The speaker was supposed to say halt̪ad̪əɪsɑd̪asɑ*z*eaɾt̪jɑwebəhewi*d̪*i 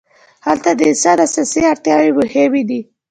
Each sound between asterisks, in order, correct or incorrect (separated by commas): incorrect, correct